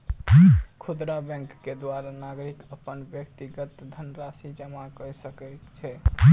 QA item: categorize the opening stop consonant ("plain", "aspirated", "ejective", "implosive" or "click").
aspirated